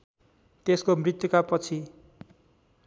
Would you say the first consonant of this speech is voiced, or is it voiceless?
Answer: voiceless